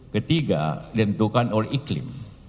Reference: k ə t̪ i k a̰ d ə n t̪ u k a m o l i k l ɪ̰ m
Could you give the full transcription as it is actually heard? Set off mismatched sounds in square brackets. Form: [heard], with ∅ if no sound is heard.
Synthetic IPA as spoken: k ə t̪ i [ɡ] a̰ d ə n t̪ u k a [n] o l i k l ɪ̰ m